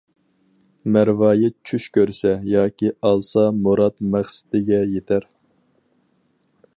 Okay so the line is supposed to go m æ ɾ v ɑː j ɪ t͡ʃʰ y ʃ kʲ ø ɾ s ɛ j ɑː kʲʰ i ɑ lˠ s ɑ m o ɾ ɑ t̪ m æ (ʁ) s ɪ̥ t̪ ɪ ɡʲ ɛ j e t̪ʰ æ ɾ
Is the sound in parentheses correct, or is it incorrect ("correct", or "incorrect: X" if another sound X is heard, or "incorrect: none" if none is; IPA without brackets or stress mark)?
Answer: incorrect: χ